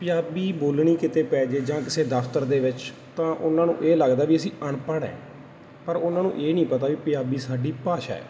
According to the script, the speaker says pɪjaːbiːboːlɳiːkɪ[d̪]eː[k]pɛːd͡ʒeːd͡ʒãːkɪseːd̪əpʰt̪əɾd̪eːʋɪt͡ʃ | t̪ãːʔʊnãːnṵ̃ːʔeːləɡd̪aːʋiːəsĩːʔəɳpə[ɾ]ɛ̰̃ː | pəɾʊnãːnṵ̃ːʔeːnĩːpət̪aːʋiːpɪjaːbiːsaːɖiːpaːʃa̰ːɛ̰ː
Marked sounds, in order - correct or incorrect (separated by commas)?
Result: incorrect, incorrect, incorrect